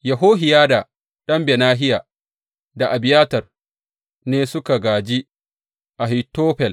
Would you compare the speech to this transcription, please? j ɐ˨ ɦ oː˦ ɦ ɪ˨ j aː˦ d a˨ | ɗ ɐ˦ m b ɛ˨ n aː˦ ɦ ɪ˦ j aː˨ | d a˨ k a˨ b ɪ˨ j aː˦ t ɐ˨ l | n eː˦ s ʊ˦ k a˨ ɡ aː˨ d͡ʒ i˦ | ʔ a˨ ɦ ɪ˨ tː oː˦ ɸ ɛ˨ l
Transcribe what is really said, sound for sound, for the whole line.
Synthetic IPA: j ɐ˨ ɦ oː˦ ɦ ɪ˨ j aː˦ d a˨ | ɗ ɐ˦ m b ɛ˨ n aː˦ ɦ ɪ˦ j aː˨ | d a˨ ʔ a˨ b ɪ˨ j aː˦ t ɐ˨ r | n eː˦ s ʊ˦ k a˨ ɡ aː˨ d͡ʒ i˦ | ʔ a˨ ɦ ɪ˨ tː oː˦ ɸ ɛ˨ l